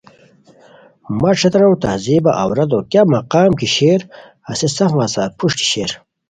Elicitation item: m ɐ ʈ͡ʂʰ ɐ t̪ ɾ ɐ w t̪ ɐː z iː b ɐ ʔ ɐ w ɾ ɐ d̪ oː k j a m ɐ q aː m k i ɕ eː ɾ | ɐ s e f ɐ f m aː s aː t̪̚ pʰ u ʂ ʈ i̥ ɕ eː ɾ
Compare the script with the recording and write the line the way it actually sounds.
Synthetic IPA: m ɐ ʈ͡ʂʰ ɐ t̪ ɾ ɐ w t̪ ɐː z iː b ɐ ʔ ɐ w ɾ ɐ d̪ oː k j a m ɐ q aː m k i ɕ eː ɾ | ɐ s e s ɐ f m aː s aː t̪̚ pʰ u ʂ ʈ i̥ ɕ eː ɾ